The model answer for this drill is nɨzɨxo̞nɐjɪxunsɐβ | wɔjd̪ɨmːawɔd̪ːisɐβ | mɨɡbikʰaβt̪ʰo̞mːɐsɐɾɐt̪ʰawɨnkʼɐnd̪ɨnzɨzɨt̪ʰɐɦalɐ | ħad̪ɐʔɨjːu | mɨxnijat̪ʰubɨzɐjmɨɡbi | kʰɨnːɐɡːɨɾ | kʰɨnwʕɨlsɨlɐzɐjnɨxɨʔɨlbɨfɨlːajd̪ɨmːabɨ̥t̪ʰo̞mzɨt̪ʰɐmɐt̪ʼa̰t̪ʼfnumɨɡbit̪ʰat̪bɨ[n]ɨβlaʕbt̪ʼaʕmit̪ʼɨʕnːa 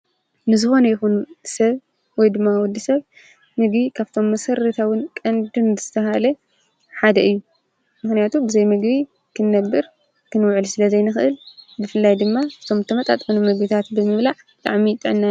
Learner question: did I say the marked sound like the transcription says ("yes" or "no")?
no